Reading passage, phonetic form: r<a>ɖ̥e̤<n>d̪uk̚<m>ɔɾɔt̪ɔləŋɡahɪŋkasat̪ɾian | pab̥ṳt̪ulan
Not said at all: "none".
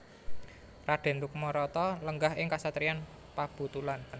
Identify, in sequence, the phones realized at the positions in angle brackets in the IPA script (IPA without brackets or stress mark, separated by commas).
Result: a, n, m